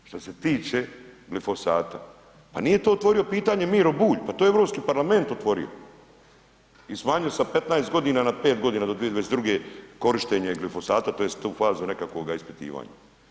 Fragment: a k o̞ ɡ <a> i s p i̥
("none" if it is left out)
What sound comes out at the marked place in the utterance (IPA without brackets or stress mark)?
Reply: a